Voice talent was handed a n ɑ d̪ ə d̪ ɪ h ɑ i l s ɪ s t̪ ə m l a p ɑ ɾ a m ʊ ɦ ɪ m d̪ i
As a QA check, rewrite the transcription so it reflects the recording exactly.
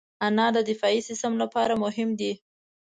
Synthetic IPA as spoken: a n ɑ d̪ ə d̪ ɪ f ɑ i s ɪ s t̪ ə m l a p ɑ ɾ a m ʊ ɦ ɪ m d̪ i

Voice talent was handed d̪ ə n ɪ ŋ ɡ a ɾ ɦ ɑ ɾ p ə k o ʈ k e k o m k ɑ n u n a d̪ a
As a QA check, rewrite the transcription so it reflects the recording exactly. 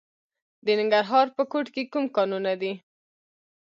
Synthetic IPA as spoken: d̪ ə n ɪ ŋ ɡ a ɾ ɦ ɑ ɾ p ə k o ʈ k e k u m k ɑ n u n a d̪ i

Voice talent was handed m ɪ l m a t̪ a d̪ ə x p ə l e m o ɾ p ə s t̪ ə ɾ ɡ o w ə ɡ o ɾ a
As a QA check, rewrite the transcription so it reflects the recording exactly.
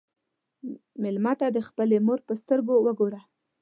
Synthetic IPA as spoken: m ɪ l m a t̪ a d̪ ə x p ə l e m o ɾ p ə s t̪ ə ɾ ɡ o w ə ɡ o ɾ a

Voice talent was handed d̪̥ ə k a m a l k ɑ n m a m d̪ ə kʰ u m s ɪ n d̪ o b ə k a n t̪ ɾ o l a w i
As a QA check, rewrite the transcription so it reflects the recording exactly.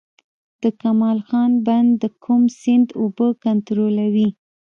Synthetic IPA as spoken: d̪̥ ə k a m ɑ l x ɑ n b a n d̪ ə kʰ u m s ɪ n d̪ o b ə k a n t̪ ɾ o l a w i

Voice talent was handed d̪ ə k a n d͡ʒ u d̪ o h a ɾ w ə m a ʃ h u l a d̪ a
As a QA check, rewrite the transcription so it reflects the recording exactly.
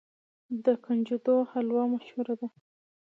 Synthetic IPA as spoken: d̪ ə k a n d͡ʒ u d̪ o h a l w ɑ m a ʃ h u ɾ a d̪ a

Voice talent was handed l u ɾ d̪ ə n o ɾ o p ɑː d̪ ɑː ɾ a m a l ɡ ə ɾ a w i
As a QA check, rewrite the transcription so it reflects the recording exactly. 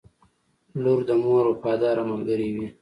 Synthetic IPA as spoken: l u ɾ d̪ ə m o ɾ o p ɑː d̪ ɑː ɾ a m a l ɡ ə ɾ i w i

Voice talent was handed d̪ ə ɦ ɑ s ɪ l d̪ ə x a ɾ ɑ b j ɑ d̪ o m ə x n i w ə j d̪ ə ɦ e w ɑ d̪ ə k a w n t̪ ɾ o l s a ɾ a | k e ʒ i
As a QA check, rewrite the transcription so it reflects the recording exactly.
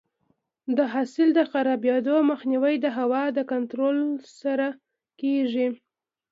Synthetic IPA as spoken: d̪ ə ɦ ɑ s ɪ l d̪ ə x a ɾ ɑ b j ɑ d̪ o m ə x n i w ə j d̪ ə ɦ a w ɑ d̪ ə k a n t̪ ɾ o l s a ɾ a | k e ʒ i

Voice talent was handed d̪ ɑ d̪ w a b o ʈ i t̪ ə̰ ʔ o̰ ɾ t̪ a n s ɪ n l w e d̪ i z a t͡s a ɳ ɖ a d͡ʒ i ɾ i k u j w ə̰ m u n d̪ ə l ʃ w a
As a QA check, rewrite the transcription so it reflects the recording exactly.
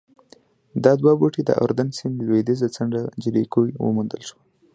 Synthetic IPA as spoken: d̪ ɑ d̪ w a b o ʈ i d̪ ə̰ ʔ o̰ ɾ d̪ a n s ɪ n l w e d̪ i z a t͡s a ɳ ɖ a d͡ʒ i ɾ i k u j w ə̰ m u n d̪ ə l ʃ w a

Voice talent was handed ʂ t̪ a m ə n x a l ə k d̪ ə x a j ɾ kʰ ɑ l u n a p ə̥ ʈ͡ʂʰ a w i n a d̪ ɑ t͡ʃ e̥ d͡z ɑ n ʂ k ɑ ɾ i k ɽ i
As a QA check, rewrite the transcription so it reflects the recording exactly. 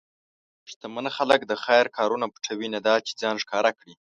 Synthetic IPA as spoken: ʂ t̪ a m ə n x a l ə k d̪ ə x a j ɾ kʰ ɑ ɾ u n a p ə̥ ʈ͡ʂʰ a w i n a d̪ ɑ t͡ʃ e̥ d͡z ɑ n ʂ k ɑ ɾ a k ɽ i

